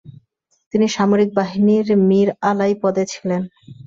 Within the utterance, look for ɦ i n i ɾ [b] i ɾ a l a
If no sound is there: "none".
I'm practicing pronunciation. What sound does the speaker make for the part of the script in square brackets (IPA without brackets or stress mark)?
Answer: m